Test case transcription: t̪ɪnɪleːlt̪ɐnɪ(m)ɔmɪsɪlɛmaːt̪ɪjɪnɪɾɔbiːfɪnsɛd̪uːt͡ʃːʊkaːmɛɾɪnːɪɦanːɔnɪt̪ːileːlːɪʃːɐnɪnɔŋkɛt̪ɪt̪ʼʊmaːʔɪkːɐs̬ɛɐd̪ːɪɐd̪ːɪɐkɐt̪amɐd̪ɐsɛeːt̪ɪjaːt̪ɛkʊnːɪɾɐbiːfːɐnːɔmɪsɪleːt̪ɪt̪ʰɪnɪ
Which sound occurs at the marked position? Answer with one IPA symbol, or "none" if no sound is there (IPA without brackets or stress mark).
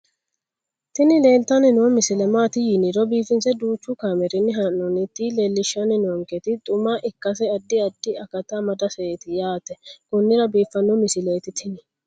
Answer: n